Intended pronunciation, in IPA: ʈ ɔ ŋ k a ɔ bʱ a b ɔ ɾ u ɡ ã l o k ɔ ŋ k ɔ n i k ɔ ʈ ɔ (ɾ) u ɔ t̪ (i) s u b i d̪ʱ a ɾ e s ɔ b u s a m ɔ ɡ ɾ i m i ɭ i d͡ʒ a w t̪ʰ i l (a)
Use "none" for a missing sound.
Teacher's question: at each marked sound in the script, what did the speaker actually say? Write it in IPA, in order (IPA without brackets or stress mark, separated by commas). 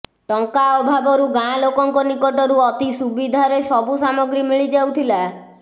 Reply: ɾ, i, a